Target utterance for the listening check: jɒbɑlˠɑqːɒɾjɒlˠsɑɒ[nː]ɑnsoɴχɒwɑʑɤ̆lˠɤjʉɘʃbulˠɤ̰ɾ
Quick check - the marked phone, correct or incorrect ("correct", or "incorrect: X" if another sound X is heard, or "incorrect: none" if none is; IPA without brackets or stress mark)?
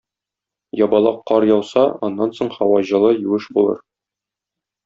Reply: correct